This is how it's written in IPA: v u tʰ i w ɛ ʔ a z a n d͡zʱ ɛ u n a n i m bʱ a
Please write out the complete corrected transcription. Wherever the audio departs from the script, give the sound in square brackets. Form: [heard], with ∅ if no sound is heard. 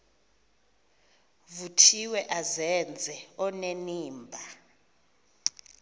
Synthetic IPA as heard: v u tʰ i w ɛ ʔ a z [ɛ] n d͡zʱ ɛ [ɔ] n [e] n [iː] m bʱ a

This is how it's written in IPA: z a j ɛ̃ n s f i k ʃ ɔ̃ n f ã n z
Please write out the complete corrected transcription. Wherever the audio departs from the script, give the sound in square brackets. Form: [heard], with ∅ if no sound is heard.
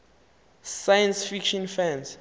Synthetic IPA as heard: [s] a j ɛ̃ n s f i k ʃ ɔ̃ n f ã n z

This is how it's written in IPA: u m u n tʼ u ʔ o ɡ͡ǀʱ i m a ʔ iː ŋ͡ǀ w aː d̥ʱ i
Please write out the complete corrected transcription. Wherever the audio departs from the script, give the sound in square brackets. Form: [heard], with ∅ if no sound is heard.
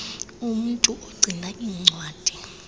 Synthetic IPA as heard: u m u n tʼ u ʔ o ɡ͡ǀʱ i [n] a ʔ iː ŋ͡ǀ w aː d̥ʱ i

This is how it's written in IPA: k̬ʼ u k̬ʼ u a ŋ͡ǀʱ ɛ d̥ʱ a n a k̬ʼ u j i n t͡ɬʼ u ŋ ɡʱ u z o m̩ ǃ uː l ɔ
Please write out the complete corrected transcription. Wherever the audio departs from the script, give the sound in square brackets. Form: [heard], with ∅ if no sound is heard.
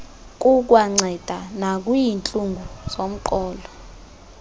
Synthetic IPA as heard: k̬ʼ u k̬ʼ [w] a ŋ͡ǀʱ ɛ d̥ʱ a n a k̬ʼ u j i n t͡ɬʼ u ŋ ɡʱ u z o m̩ ǃ [ɔː] l ɔ

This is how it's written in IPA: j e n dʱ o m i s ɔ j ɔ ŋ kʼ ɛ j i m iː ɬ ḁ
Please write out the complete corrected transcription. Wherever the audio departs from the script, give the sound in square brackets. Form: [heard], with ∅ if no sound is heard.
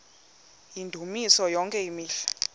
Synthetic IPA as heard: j [i] n dʱ [u] m i s ɔ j ɔ ŋ kʼ ɛ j i m iː ɬ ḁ

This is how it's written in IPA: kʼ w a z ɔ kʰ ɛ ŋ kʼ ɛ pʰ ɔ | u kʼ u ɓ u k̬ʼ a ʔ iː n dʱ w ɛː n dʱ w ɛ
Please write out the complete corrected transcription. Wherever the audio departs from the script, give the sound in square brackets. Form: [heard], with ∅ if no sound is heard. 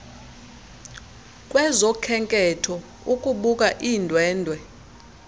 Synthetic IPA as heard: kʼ w [ɛ] z ɔ kʰ ɛ ŋ kʼ ɛ [tʰ] ɔ | u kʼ u ɓ u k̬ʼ a ʔ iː n dʱ w ɛː n dʱ w ɛ

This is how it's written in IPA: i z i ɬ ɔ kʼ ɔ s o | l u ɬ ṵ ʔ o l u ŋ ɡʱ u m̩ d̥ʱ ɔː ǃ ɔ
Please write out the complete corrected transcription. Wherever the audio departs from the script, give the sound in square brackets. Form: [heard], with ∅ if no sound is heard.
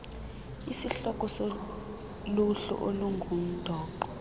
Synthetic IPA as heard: i [s] i ɬ ɔ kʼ ɔ s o | l u ɬ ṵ ʔ o l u ŋ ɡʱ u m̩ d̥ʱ ɔː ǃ ɔ

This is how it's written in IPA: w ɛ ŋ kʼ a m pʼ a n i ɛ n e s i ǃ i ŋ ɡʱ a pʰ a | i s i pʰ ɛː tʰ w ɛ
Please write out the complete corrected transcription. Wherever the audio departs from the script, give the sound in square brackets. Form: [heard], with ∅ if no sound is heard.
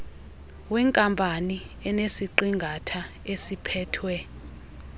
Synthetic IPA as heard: w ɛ ŋ kʼ a m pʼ a n i ɛ n e s i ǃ i ŋ ɡʱ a [tʰ] a | [e] s i pʰ ɛː tʰ w ɛ

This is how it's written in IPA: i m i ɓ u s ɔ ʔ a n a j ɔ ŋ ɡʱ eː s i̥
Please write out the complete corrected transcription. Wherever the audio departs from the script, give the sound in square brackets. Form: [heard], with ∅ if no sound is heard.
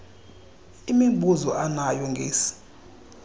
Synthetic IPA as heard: i m i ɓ u [z] ɔ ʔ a n a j ɔ ŋ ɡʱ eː s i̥

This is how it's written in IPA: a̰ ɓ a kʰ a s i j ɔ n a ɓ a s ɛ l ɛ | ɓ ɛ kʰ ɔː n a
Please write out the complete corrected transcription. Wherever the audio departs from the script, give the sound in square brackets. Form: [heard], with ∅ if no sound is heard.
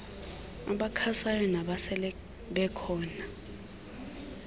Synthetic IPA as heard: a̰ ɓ a kʰ a s [a] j ɔ n a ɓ a s ɛ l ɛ | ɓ ɛ kʰ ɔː n a

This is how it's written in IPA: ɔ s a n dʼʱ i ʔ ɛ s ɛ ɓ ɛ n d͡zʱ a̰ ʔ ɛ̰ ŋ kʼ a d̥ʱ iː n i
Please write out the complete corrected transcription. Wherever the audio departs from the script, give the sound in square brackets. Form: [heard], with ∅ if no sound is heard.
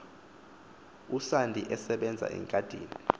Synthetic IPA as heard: [u] s a n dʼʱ i ʔ ɛ s ɛ ɓ ɛ n d͡zʱ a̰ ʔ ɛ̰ ŋ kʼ a d̥ʱ iː n i

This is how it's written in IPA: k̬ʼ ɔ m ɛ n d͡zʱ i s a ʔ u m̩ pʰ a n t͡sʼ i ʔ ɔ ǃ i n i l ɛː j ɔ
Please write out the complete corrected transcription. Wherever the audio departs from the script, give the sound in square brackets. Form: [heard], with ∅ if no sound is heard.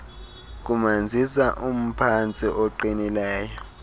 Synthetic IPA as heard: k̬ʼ [u] m [a] n d͡zʱ i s a ʔ u m̩ pʰ a n t͡sʼ i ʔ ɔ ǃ i n i l ɛː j ɔ

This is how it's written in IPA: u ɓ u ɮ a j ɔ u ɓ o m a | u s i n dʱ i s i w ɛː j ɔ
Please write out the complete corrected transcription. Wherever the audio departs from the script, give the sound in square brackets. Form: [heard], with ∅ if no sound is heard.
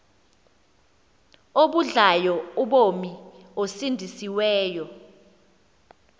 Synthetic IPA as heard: [o] ɓ u ɮ a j ɔ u ɓ o m [i] | [o] s i n dʱ i s i w ɛː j ɔ

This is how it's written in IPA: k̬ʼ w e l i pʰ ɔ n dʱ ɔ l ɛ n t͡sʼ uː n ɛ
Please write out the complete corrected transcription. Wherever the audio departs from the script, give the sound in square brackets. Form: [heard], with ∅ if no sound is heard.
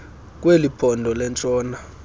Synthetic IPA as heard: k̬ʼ w e l i pʰ ɔ n dʱ ɔ l ɛ n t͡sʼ [ɔː] n [a]

